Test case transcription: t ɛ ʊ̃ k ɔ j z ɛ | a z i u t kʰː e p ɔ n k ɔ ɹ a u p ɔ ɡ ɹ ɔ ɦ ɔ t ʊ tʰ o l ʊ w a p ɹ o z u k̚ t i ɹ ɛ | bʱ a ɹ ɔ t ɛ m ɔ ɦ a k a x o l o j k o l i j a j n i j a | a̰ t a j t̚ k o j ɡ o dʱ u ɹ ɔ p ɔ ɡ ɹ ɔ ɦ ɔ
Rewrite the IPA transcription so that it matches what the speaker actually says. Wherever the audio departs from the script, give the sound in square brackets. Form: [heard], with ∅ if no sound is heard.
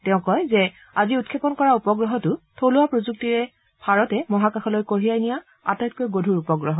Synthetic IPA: t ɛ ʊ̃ k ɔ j z ɛ | a z i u t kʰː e p ɔ n k ɔ ɹ a u p ɔ ɡ ɹ ɔ ɦ ɔ t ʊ tʰ o l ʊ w a p ɹ o z u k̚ t i ɹ ɛ | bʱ a ɹ ɔ t ɛ m ɔ ɦ a k a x [ɔ] l o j k o [ɹ] i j a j n i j a | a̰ t a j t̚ k o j ɡ o dʱ u ɹ [u] p ɔ ɡ ɹ ɔ ɦ ɔ